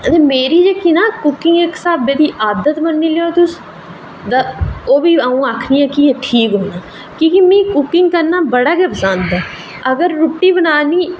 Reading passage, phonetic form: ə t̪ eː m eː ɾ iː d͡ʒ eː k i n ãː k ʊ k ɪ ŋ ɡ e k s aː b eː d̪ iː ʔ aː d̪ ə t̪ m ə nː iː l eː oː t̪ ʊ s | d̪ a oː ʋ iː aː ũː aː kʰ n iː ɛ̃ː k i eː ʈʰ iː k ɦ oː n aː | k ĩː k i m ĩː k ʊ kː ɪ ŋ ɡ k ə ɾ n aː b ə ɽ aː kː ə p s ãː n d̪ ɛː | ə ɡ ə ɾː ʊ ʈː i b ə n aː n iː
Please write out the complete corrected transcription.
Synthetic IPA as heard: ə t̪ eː m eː ɾ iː d͡ʒ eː k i n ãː k ʊ k ɪ ŋ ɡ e k s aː b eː d̪ iː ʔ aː d̪ ə t̪ m ə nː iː l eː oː t̪ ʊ s | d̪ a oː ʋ iː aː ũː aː kʰ n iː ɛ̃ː k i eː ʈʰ iː k ɦ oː n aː | k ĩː k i m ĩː k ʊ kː ɪ ŋ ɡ k ə ɾ n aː b ə ɽ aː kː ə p s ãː n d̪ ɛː | ə ɡ ə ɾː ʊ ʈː iː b ə n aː n iː